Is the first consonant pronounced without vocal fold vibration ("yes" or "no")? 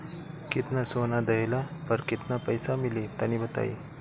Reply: yes